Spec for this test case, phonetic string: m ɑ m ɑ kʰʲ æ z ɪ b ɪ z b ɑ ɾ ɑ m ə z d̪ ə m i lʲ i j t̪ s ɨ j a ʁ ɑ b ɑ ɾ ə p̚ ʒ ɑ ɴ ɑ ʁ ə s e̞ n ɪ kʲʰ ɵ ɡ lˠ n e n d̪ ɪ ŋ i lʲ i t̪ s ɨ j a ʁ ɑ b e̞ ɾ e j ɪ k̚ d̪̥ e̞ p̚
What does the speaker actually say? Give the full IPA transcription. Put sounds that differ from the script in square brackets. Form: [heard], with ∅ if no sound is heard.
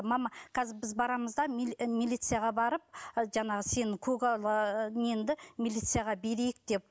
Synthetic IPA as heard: m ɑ m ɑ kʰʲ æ z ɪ b ɪ z b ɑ ɾ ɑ m ə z d̪ [ɑ] m i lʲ i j t̪ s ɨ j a ʁ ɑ b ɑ ɾ ə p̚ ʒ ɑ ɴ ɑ ʁ ə s e̞ n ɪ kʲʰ ɵ ɡ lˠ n e n d̪ ɪ [m] i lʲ i t̪ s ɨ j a ʁ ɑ b e̞ ɾ e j ɪ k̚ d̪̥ e̞ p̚